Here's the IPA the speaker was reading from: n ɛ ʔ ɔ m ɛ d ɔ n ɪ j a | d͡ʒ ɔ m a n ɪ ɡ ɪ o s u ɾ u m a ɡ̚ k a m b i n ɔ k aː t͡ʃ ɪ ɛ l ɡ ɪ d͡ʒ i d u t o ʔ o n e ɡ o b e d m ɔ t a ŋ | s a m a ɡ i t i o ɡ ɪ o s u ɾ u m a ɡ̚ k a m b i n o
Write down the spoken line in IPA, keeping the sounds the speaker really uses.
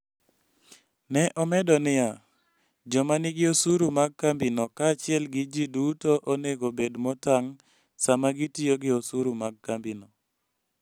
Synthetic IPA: n ɛ ʔ ɔ m ɛ d ɔ n ɪ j a | d͡ʒ ɔ m a n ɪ ɡ ɪ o s u ɾ u m a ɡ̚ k a m b i n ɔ k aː t͡ʃ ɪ ɛ l ɡ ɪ d͡ʒ i d u t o ʔ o n e ɡ o b e d m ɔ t a ŋ | s a m a ɡ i t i o ɡ ɪ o s u ɾ u m a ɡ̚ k a m b i n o